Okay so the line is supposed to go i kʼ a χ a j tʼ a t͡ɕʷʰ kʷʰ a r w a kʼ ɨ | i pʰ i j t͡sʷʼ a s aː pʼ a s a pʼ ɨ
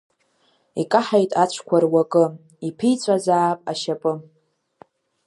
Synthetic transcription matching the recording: i kʼ a ħ a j tʼ a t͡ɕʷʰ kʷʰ a r w a kʼ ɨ | i pʰ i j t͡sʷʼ a z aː pʼ a ʃ a pʼ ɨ